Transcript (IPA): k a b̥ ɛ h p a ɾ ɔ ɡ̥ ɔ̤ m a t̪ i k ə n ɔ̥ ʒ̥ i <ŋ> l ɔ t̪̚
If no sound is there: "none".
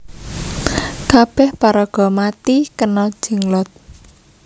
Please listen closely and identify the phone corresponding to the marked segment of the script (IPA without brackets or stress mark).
ŋ